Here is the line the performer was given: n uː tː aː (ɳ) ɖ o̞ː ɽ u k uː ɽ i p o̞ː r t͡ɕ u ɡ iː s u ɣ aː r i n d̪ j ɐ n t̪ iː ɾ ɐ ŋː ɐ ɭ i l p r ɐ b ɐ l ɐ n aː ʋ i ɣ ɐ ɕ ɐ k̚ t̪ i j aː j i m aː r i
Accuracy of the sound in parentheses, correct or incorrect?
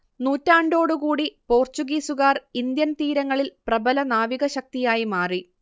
correct